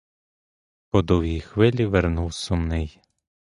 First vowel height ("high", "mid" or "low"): mid